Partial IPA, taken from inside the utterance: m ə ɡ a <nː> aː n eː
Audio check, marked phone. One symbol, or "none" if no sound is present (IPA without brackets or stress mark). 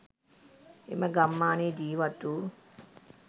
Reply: mː